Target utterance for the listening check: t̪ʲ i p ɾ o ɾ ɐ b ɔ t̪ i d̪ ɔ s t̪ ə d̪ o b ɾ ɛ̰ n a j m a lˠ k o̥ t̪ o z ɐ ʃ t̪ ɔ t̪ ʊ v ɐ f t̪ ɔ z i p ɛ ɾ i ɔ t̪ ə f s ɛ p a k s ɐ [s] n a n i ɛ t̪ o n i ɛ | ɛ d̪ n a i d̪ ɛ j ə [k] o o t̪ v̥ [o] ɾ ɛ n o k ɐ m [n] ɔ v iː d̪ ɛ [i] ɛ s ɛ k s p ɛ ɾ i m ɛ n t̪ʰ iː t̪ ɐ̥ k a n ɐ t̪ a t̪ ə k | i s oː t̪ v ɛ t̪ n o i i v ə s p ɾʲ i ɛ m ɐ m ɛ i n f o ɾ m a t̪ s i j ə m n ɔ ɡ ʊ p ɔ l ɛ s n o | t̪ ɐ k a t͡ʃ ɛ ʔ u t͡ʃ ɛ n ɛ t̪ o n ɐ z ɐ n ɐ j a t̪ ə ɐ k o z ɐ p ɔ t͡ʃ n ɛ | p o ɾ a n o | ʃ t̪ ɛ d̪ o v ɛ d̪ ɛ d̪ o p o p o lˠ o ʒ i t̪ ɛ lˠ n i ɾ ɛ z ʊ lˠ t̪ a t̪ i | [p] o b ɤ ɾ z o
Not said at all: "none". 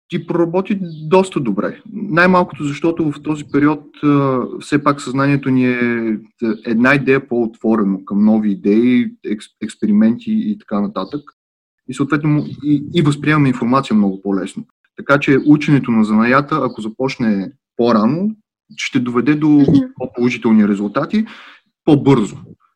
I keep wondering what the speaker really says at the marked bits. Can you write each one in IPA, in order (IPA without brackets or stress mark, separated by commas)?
z, p, ɔ, n, i, p